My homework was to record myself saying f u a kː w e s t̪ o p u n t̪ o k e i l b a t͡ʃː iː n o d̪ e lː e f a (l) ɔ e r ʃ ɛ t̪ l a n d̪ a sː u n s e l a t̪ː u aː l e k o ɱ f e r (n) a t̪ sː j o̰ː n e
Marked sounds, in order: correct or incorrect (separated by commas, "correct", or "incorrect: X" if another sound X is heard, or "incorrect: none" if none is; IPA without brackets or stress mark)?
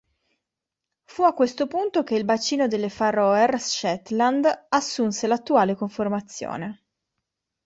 incorrect: r, incorrect: m